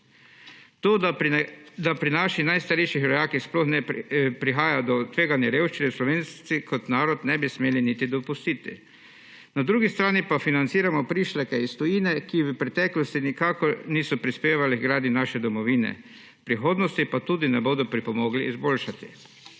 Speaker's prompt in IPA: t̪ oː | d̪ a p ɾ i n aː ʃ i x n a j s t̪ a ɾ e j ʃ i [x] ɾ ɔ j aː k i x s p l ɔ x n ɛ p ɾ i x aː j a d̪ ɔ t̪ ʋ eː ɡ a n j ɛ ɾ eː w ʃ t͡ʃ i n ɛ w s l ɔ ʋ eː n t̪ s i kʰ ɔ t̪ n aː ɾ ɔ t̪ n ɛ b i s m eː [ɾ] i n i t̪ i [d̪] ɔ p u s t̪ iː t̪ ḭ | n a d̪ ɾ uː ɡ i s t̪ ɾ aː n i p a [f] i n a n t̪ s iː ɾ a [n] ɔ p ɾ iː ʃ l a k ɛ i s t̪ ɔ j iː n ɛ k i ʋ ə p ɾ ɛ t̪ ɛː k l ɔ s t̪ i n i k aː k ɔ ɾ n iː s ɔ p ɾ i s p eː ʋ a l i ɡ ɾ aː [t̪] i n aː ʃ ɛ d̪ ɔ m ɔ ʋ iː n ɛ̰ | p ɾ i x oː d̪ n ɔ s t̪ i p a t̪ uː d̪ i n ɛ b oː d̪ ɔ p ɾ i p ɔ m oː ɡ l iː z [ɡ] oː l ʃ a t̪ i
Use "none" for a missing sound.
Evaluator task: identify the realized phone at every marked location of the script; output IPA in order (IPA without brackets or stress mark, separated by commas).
x, l, d̪, f, m, d̪, b